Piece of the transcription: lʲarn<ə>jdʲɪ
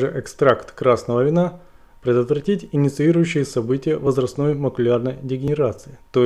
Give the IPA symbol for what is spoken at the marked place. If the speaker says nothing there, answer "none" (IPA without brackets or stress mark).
ə